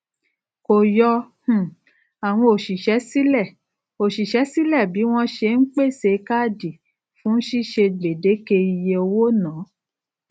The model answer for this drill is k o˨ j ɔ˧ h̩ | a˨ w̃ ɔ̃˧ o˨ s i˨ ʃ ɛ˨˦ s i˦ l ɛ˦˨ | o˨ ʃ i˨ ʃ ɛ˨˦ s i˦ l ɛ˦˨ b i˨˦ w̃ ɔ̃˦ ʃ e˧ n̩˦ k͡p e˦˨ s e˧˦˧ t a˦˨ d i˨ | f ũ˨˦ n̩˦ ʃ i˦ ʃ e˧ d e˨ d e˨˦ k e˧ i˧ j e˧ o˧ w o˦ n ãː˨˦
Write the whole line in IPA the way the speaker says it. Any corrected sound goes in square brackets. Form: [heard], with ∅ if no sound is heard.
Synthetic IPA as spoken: k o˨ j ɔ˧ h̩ | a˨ w̃ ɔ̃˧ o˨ [ʃ] i˨ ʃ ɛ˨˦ s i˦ l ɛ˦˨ | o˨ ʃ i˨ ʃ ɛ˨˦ s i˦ l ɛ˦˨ b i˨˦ w̃ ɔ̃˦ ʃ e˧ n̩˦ k͡p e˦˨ s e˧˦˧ [k] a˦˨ d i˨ | f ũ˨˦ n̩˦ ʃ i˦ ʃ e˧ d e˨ d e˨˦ k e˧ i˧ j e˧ o˧ w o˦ n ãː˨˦